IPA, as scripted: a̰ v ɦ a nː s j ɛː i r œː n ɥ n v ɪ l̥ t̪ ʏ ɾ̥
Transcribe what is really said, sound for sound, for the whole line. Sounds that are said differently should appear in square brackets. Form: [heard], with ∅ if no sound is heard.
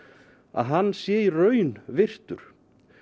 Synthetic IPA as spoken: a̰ [ð] ɦ a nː s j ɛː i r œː [∅] ɥ n v ɪ [r̥] t̪ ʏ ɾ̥